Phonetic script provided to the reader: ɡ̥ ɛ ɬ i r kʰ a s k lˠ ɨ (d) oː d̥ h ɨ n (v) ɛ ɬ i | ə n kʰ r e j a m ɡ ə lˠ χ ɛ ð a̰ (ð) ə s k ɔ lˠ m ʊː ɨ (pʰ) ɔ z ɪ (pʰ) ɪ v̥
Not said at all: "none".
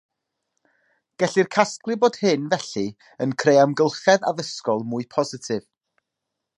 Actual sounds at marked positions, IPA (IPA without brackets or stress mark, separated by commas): b, v, ð, pʰ, tʰ